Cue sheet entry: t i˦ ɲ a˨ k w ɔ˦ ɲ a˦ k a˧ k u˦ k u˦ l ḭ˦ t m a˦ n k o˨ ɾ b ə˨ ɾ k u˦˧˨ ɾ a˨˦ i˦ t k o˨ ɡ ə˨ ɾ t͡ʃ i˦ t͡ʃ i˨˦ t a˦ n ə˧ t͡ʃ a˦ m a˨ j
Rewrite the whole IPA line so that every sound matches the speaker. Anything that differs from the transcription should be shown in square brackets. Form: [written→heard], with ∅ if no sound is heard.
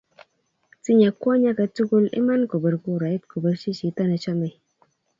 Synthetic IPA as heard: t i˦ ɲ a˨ k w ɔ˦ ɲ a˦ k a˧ [k→t] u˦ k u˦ l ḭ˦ [t→∅] m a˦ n k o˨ [ɾ→∅] b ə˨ ɾ k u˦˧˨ ɾ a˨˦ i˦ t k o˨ [ɡ→b] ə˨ ɾ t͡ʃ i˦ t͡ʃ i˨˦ t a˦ n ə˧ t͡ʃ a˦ m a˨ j